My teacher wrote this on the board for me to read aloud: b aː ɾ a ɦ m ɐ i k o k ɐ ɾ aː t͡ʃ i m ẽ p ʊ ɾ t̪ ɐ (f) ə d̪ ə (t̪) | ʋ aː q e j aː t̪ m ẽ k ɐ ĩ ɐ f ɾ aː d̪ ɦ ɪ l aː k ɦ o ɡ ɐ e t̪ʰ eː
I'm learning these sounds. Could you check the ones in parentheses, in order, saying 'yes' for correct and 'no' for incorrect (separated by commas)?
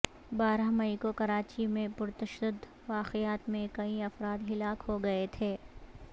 no, no